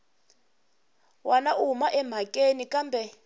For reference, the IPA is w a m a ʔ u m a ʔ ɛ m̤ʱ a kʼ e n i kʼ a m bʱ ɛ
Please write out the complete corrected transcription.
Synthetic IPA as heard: w a n a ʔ u m a ʔ ɛ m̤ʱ a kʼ e n i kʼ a m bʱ ɛ